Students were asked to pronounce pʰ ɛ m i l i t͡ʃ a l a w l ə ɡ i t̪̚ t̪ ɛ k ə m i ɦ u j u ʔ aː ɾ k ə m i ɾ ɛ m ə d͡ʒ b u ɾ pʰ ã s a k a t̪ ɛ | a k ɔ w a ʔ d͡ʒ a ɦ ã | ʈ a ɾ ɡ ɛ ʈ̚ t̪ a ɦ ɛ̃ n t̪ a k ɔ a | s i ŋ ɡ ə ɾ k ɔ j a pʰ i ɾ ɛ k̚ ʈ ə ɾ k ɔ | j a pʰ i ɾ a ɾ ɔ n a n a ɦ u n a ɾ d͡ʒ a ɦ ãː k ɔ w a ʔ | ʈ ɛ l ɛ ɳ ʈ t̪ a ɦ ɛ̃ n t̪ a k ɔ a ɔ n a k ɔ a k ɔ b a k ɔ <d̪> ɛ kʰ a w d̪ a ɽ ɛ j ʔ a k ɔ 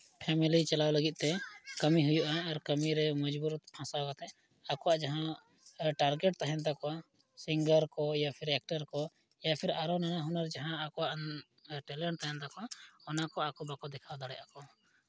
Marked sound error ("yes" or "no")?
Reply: no